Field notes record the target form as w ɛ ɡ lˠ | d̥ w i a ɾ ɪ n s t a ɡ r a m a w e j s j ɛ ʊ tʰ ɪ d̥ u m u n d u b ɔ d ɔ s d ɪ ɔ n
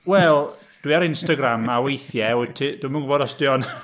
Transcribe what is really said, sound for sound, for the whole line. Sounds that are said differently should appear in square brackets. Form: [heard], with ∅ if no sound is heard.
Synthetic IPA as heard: w ɛ [∅] lˠ | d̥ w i a ɾ ɪ n s t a ɡ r a m a w e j [θ] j ɛ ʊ tʰ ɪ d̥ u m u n [ɡ] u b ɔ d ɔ s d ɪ ɔ n